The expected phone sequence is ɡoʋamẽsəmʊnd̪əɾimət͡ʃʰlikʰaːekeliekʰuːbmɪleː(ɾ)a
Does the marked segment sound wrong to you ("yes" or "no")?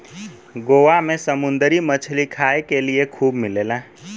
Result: yes